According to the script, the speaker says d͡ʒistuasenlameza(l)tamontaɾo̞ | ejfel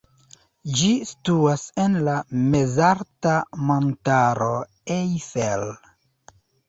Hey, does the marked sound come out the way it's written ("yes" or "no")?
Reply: no